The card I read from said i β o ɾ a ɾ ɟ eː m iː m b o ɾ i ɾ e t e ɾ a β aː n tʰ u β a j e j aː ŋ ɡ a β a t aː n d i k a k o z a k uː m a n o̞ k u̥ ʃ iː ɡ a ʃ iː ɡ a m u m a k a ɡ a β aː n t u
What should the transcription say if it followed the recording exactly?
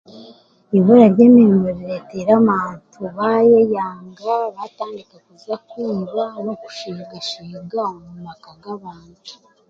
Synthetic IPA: i β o ɾ a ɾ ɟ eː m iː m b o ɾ i ɾ e t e ɾ a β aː n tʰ u β a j e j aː ŋ ɡ a β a t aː n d i k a k u z a k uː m a n o̞ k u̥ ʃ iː ɡ a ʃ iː ɡ a m u m a k a ɡ a β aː n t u